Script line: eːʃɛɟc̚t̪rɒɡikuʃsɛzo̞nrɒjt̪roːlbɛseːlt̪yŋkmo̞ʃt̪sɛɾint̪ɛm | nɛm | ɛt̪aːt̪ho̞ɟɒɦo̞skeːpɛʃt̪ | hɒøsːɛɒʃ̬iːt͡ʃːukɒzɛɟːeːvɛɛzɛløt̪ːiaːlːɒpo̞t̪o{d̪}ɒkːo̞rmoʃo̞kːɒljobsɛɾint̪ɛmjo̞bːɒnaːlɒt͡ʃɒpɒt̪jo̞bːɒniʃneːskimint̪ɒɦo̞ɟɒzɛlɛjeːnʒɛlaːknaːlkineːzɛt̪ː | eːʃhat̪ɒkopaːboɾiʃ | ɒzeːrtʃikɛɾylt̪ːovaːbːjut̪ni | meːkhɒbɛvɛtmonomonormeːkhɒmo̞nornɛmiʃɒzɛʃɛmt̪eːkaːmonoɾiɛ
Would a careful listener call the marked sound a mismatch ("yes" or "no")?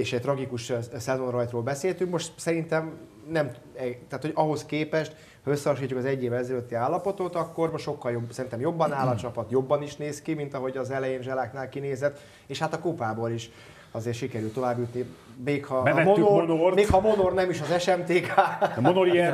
yes